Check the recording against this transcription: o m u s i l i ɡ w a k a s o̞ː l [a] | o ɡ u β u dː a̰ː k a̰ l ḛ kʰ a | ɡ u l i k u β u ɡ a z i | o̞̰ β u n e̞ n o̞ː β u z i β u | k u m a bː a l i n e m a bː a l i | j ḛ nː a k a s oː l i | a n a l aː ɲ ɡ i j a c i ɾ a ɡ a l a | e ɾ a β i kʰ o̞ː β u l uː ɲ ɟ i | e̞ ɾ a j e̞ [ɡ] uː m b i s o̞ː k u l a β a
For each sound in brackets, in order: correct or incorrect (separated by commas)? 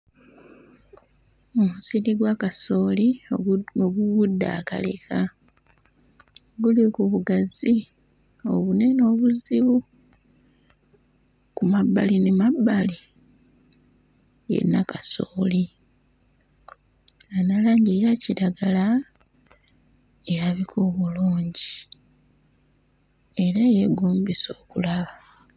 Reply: incorrect, correct